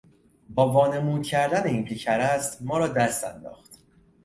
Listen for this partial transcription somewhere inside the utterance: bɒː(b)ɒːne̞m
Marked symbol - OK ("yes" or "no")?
no